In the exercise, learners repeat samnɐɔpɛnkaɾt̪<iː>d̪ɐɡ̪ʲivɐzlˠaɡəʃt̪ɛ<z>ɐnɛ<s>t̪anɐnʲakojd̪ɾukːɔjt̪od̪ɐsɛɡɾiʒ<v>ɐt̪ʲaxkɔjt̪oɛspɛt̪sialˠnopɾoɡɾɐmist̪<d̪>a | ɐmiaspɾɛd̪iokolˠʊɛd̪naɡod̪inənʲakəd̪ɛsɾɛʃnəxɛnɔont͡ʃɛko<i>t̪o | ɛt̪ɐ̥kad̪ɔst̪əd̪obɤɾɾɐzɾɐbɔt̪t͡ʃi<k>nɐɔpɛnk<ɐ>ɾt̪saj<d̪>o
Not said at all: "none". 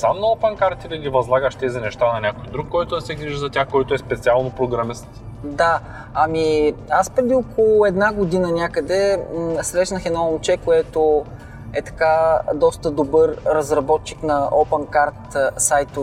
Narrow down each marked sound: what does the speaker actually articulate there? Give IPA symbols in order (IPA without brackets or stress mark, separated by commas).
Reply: i, z, ʃ, z, d̪, ɛ, k, a, t̪